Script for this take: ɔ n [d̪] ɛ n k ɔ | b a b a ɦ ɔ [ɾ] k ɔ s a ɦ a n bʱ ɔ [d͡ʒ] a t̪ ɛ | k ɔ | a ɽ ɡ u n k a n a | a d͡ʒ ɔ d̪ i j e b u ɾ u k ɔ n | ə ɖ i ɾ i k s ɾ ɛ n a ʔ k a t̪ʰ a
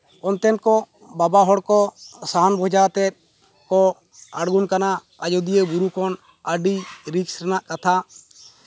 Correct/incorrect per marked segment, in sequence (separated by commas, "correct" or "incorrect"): incorrect, incorrect, correct